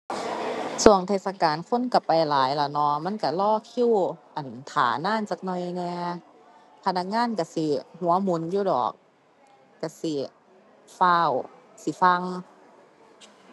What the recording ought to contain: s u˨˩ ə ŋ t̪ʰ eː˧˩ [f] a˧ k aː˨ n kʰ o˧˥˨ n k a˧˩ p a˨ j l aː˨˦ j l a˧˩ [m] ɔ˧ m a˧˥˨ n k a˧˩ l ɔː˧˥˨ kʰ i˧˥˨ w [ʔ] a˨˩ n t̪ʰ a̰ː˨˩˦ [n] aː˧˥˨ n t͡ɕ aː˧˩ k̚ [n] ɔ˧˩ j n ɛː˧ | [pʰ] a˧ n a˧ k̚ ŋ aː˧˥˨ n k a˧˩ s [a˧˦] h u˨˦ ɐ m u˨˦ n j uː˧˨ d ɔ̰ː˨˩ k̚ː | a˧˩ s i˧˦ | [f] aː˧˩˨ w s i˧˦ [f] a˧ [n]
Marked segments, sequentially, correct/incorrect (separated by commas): incorrect, incorrect, correct, correct, correct, correct, incorrect, correct, correct, incorrect